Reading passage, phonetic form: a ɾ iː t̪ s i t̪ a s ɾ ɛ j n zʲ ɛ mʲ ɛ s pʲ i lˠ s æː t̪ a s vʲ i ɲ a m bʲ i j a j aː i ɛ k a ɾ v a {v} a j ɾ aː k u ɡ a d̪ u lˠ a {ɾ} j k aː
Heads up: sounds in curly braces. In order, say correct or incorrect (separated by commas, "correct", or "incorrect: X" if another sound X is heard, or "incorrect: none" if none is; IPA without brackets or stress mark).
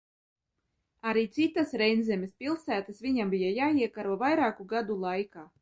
correct, incorrect: none